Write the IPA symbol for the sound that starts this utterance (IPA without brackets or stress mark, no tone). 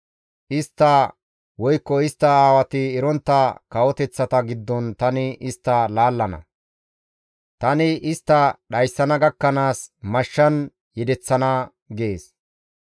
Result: ʔ